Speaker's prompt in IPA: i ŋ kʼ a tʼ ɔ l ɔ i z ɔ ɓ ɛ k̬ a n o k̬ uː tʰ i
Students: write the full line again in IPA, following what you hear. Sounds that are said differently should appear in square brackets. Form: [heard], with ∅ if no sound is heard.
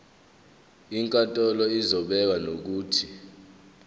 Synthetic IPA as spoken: i ŋ kʼ a tʼ ɔ l ɔ i z ɔ ɓ ɛ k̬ a n o k̬ uː tʰ i